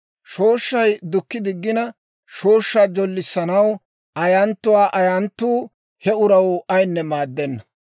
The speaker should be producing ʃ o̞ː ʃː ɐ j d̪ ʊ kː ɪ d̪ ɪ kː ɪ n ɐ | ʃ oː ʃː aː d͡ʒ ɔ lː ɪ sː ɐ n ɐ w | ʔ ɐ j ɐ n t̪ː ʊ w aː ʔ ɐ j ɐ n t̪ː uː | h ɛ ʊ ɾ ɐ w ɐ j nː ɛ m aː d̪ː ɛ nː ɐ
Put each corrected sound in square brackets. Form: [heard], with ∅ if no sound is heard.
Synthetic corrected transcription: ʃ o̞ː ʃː ɐ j d̪ ʊ kː ɪ d̪ ɪ [ɡː] ɪ n ɐ | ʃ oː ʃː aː d͡ʒ ɔ lː ɪ sː ɐ n ɐ w | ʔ ɐ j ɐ n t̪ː ʊ w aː ʔ ɐ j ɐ n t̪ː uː | h ɛ ʊ ɾ ɐ w ɐ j nː ɛ m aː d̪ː ɛ nː ɐ